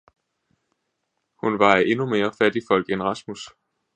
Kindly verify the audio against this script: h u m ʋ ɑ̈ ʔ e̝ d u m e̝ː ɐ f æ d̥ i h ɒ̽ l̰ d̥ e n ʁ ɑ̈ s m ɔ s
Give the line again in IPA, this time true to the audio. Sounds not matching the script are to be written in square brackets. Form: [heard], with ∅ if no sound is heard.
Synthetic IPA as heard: h u [n] ʋ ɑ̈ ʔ e̝ [n] u m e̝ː ɐ f æ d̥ i [f] ɒ̽ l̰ [ɡ̥] e n ʁ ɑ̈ s m [u] s

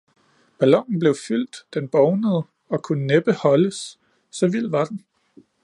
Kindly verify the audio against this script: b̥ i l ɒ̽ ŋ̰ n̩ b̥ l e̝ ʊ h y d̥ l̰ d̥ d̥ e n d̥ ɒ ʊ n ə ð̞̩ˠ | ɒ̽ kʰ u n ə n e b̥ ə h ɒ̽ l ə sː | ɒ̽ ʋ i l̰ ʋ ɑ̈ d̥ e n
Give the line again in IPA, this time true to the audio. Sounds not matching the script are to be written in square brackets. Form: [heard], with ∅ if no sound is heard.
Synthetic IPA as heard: b̥ [æ] l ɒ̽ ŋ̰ n̩ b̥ l e̝ ʊ [f] y [∅] l̰ d̥ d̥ e n [b̥] ɒ ʊ n ə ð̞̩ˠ | ɒ̽ kʰ u n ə n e b̥ ə h ɒ̽ l ə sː | ɒ̽ ʋ i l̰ ʋ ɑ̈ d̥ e n

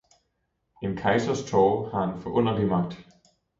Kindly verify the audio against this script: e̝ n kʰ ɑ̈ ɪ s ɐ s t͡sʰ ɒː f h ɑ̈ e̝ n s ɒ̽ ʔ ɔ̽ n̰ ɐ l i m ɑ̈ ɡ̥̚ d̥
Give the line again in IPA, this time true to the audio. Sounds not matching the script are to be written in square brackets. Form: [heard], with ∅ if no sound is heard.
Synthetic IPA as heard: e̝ n kʰ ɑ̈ ɪ s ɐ s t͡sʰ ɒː [∅] h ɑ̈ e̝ n [f] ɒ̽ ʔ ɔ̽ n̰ ɐ l i m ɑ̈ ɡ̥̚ d̥

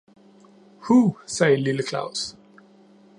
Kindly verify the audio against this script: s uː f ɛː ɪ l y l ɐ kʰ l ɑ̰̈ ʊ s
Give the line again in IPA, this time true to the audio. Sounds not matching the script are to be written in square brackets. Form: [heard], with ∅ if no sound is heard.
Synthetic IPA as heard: [h] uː [s] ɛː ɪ l [i] l [ə] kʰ l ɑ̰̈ ʊ s

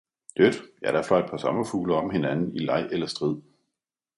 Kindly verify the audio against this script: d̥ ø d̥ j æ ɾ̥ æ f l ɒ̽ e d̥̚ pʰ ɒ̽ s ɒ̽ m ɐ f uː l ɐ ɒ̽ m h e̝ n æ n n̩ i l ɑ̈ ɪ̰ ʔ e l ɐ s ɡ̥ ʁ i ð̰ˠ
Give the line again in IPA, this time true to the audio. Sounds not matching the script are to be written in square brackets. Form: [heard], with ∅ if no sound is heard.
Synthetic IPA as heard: d̥ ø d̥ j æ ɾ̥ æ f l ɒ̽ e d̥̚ pʰ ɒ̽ s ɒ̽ m ɐ f uː l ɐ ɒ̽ m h e̝ n æ n n̩ i l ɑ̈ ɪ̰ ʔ e l ɐ s [d̥] ʁ i ð̰ˠ

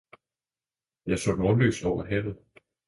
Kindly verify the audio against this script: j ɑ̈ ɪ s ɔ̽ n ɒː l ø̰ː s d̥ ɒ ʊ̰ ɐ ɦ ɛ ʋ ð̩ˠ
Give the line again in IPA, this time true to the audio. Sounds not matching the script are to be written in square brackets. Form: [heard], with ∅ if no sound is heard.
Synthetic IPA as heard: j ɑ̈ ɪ s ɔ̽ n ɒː l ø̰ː s d̥ ɒ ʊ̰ ɐ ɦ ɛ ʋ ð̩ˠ

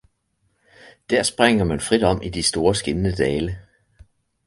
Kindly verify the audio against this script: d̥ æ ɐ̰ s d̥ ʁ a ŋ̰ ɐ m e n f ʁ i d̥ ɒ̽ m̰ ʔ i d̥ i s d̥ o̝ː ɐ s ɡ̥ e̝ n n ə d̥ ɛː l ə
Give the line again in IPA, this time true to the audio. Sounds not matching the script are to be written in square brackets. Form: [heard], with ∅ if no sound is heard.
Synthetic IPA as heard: d̥ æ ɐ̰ s [b̥] ʁ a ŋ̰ ɐ m [æ] n f ʁ i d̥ ɒ̽ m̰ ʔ i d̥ i s d̥ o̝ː ɐ s ɡ̥ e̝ n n ə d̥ ɛː l ə

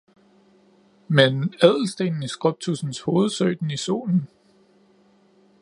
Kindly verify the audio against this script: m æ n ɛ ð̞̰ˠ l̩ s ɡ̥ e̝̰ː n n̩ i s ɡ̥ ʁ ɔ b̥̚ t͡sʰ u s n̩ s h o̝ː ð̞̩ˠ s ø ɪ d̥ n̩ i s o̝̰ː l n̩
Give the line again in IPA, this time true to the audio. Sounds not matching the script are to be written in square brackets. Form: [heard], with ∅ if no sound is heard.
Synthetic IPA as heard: m [e] n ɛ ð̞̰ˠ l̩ s [d̥] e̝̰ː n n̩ i s ɡ̥ ʁ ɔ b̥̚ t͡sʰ u s n̩ s h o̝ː ð̞̩ˠ s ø ɪ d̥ n̩ i s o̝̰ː l n̩

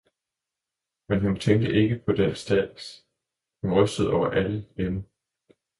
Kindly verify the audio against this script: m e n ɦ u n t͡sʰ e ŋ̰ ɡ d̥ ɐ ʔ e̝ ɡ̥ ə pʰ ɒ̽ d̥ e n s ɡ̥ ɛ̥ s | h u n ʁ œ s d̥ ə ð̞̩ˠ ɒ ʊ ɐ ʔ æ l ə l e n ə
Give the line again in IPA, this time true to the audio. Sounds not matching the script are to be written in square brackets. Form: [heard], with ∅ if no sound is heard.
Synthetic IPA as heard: m e n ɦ u n t͡sʰ e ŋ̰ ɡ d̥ [ə] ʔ e̝ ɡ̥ ə pʰ ɒ̽ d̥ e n s [d̥] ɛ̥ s | h u n ʁ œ s d̥ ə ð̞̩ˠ ɒ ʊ ɐ ʔ æ l ə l e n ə

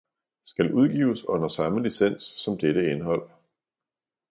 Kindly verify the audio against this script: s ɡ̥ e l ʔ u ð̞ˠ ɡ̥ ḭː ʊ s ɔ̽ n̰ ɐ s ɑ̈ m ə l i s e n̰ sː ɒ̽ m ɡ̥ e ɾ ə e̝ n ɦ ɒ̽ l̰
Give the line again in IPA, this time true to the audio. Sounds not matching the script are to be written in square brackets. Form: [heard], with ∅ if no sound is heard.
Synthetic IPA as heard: s ɡ̥ [æ] l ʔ u ð̞ˠ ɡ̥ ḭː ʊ s ɔ̽ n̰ ɐ s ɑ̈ m ə l i s e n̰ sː ɒ̽ m [d̥] e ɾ ə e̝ n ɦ ɒ̽ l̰

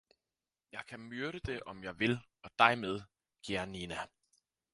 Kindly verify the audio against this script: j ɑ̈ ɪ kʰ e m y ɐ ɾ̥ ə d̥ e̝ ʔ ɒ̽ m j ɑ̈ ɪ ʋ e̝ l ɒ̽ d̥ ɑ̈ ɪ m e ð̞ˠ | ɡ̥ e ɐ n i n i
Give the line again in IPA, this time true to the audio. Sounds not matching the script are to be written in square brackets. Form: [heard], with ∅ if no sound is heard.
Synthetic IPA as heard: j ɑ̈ ɪ kʰ [æ] m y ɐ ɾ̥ ə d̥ e̝ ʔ ɒ̽ m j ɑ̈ ɪ ʋ e̝ l ɒ̽ d̥ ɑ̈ ɪ m e ð̞ˠ | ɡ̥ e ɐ n i n [æ]

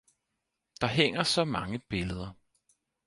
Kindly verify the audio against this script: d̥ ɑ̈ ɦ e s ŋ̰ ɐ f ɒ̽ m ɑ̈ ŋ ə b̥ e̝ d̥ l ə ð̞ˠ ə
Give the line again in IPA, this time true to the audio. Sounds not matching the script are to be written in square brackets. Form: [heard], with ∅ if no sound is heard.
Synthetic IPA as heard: d̥ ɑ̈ ɦ e [∅] ŋ̰ ɐ [s] ɒ̽ m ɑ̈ ŋ ə b̥ e̝ [∅] l ə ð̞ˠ [ɐ]

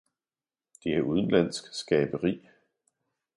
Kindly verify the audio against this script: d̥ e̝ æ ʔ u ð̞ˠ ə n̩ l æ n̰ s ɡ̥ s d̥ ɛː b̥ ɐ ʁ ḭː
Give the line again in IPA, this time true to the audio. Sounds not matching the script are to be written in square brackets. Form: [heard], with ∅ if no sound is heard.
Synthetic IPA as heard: d̥ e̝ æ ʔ u ð̞ˠ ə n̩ l æ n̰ s ɡ̥ s [ɡ̥] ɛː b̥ [ə] ʁ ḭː

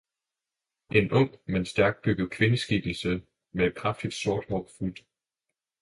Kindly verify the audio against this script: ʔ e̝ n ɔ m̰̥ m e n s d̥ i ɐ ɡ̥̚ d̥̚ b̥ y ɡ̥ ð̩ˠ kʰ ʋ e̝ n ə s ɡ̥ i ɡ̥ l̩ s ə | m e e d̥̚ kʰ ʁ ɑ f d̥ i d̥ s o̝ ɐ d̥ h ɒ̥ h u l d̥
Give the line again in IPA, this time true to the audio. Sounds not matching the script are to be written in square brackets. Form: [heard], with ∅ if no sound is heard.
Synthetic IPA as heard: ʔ e̝ n ɔ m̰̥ m e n s d̥ [æ] ɐ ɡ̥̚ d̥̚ b̥ y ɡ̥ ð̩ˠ kʰ ʋ e̝ n ə s ɡ̥ i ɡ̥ l̩ s ə | m e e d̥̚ kʰ ʁ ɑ f d̥ i d̥ s o̝ ɐ d̥ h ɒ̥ [f] u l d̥

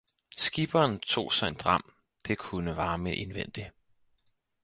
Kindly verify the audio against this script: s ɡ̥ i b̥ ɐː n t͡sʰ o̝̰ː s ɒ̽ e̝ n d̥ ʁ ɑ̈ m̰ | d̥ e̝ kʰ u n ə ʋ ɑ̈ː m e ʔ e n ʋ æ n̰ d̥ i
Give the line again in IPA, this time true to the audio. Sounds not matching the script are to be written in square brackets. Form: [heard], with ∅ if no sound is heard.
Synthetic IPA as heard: s ɡ̥ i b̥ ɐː n t͡sʰ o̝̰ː s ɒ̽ e̝ n d̥ ʁ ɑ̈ m̰ | d̥ e̝ kʰ u n ə ʋ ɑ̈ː m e ʔ e n ʋ [e] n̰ d̥ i

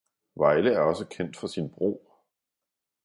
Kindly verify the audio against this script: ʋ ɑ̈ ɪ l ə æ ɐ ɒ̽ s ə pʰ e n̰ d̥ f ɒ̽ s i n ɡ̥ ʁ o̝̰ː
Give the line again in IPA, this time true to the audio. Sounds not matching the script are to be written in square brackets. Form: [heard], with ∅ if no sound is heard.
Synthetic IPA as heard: ʋ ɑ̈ ɪ l ə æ ɐ ɒ̽ s ə [kʰ] e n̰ d̥ f ɒ̽ s i n [b̥] ʁ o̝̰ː

